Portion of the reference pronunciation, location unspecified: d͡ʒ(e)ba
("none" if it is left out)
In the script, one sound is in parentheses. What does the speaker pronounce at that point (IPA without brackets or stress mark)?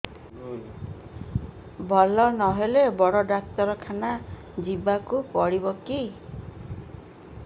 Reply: i